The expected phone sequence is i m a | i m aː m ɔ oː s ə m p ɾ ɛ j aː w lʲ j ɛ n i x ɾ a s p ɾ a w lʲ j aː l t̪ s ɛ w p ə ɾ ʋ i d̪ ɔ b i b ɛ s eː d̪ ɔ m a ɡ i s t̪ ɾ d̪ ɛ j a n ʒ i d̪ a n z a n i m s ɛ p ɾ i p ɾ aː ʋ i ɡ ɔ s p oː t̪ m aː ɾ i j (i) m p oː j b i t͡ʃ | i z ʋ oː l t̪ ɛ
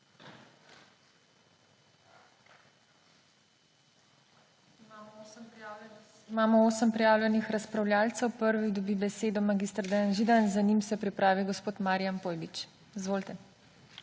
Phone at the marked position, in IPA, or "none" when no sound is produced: a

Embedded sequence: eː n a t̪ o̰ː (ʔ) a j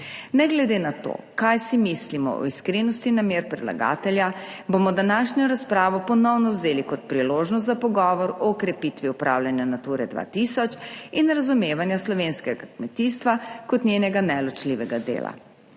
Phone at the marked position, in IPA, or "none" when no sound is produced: k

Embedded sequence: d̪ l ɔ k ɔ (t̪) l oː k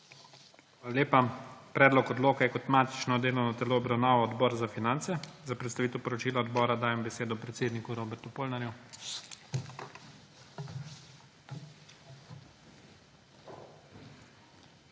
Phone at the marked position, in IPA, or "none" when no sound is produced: d̪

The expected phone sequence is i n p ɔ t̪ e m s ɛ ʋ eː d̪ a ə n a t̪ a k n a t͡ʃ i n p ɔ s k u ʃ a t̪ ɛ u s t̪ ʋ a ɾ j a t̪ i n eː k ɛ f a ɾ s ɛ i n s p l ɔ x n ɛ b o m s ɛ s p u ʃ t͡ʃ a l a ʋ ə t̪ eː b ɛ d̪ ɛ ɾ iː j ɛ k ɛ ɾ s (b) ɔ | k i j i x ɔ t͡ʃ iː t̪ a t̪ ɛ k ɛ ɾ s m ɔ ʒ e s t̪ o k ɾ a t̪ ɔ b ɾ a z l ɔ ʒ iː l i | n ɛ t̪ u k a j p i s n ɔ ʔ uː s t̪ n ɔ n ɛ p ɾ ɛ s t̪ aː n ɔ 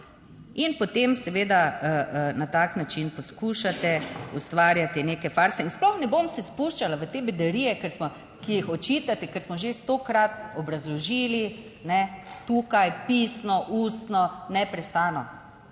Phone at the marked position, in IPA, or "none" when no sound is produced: m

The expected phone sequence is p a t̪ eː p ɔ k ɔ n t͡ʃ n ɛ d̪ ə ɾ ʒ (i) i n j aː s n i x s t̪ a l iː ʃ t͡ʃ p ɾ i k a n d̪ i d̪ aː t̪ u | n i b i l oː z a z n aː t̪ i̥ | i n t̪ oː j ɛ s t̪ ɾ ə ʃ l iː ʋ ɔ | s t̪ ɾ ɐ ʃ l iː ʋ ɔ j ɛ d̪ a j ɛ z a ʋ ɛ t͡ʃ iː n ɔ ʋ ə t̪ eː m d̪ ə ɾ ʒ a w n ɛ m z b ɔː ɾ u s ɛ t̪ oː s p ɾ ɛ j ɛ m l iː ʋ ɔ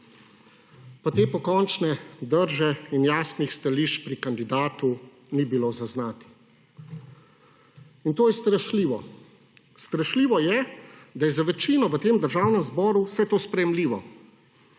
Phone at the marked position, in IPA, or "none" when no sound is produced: ɛ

